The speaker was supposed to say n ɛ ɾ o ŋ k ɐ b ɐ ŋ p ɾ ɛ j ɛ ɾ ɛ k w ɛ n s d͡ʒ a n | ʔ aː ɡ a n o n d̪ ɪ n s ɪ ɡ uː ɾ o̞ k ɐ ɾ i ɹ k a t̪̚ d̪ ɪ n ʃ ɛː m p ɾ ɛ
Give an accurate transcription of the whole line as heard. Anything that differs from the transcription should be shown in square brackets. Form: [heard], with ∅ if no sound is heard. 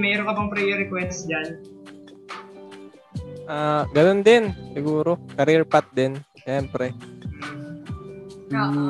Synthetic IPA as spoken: [m] ɛ ɾ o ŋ k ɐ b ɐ ŋ p ɾ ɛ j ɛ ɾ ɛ k w ɛ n s d͡ʒ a n | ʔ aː ɡ [ɐ] n o n d̪ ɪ n s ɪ ɡ uː ɾ o̞ k ɐ ɾ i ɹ [p] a t̪̚ d̪ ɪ n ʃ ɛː m p ɾ ɛ